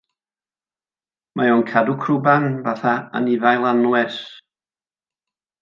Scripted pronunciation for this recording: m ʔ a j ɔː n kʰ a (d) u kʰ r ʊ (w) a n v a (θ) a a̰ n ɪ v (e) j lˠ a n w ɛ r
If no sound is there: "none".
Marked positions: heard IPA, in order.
d, b, θ, a

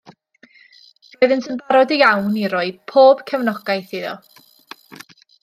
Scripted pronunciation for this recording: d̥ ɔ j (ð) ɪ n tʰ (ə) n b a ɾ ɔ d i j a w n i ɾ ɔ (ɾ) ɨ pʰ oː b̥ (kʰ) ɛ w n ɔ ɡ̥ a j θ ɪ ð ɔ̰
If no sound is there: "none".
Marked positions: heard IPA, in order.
ð, ə, none, kʰ

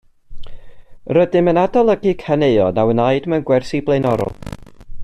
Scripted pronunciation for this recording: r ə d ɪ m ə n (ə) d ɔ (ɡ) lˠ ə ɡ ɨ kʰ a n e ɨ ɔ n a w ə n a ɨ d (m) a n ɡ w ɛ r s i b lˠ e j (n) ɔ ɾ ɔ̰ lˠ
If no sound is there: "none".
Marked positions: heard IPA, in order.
a, none, m, n

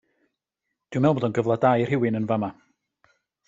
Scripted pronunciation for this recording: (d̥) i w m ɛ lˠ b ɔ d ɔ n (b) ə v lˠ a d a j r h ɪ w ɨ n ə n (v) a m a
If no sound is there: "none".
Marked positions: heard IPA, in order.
d̥, ɡ, v

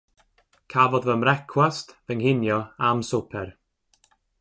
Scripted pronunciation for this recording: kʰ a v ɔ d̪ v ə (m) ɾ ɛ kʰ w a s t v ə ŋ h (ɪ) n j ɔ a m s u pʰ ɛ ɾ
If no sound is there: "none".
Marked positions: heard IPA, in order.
m, ɪ

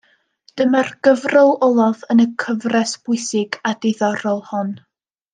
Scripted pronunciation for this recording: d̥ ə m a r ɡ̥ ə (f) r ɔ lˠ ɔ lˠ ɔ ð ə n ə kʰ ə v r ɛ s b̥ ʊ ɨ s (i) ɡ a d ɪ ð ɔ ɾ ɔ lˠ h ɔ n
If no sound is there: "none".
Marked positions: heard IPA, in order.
v, ɪ

